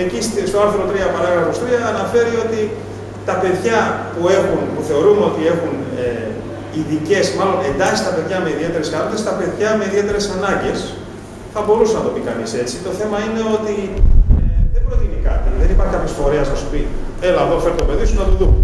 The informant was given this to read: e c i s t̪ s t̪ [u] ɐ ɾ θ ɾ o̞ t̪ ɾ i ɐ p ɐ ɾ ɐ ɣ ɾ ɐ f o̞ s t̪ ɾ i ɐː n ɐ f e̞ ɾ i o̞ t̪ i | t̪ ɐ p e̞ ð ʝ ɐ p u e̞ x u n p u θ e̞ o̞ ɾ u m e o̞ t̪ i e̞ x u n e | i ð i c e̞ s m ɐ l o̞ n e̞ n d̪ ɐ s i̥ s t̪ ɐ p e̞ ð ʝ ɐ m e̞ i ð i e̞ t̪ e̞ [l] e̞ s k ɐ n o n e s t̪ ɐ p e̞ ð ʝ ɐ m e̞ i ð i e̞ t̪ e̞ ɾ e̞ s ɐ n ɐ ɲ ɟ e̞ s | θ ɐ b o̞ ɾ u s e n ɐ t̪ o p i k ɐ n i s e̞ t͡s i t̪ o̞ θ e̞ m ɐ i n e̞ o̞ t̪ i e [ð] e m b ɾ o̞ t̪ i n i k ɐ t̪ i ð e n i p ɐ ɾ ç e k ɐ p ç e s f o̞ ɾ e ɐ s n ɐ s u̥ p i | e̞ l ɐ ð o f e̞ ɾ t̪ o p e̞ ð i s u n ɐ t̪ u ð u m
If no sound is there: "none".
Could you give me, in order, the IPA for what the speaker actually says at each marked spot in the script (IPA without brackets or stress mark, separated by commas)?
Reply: o, ɾ, ð